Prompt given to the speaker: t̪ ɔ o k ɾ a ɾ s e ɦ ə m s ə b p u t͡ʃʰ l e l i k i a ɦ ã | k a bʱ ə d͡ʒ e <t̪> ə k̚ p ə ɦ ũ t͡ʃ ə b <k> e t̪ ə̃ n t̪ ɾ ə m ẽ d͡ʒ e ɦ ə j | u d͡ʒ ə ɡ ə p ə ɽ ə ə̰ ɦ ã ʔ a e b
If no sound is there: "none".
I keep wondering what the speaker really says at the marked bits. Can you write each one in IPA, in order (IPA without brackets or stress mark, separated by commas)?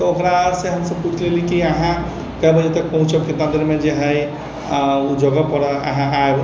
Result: t̪, k